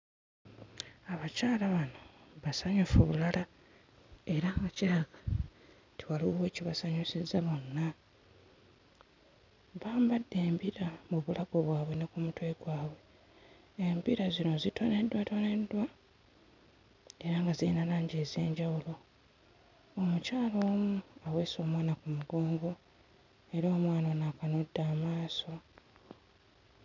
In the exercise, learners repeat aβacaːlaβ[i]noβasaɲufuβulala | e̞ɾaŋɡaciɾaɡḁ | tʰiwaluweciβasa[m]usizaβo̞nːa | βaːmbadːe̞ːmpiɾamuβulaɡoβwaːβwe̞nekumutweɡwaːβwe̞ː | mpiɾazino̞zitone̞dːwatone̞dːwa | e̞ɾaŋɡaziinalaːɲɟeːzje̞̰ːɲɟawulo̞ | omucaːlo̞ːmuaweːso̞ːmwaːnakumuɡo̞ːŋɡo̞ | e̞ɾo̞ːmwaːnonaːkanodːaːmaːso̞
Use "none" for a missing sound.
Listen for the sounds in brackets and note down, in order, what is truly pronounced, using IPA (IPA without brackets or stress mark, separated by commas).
a, ɲ